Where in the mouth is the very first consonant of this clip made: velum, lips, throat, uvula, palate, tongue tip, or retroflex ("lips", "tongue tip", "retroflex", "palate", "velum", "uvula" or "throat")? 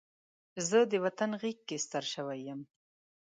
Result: tongue tip